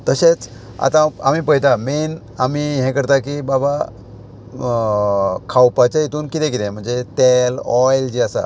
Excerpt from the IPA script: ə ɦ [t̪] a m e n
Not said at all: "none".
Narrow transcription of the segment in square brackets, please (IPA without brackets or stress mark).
t̪